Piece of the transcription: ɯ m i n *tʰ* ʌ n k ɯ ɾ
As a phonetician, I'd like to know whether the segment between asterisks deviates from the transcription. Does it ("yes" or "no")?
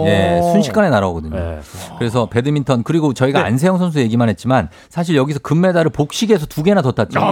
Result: no